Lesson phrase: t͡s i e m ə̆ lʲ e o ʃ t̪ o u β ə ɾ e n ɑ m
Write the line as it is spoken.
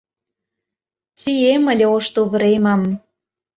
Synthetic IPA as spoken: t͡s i e m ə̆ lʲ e o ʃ t̪ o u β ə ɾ e m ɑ m